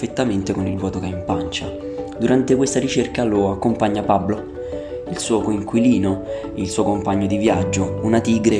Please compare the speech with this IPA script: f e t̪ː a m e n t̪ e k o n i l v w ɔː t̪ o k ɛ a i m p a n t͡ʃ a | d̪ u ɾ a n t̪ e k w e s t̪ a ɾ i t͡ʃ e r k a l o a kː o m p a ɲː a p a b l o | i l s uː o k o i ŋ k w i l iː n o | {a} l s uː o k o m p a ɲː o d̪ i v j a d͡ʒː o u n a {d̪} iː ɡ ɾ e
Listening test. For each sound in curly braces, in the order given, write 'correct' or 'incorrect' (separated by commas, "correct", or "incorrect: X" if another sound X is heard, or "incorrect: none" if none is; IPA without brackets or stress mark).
incorrect: i, incorrect: t̪